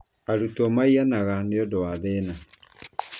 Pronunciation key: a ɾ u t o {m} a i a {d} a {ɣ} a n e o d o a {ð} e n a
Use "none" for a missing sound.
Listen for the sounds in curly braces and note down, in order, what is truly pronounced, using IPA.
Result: m, n, ɣ, ð

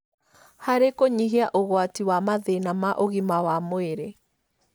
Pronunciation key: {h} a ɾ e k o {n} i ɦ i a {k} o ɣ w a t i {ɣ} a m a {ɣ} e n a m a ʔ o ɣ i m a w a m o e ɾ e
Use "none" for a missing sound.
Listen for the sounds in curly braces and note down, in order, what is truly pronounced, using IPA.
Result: h, ɲ, ʔ, w, ð

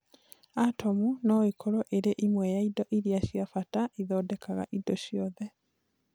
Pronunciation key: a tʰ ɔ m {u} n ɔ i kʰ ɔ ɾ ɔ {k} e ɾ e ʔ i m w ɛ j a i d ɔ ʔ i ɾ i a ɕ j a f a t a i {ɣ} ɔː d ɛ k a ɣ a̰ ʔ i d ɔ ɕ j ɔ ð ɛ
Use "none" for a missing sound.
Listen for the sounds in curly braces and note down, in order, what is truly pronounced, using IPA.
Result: u, ʔ, ð

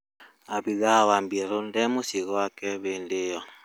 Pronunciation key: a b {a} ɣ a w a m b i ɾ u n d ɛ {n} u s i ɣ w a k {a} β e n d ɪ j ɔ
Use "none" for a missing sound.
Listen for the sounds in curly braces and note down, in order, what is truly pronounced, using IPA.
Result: i, m, ɛ

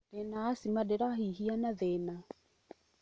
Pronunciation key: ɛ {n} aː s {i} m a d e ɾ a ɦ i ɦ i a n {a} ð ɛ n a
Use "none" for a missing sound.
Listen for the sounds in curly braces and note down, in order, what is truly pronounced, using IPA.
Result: n, i, a

